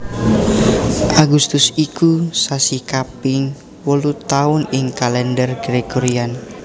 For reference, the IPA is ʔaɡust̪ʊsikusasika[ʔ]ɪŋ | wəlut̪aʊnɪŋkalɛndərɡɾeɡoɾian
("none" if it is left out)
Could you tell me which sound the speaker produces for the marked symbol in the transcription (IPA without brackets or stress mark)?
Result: p